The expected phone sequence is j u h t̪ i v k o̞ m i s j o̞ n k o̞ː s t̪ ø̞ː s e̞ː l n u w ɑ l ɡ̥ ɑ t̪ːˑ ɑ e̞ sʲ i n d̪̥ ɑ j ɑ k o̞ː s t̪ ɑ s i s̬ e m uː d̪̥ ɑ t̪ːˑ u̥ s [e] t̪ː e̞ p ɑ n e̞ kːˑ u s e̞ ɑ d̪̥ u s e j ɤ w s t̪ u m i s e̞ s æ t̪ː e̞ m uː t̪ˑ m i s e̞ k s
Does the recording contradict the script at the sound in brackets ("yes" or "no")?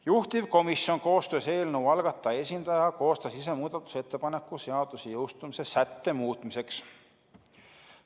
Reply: no